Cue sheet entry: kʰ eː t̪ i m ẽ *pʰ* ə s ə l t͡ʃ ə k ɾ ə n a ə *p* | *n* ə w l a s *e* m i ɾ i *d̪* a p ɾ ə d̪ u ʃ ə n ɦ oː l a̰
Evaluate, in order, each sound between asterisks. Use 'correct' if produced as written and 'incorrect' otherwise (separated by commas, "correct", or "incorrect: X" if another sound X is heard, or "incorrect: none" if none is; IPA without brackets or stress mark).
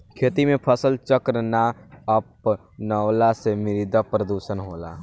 correct, correct, correct, correct, correct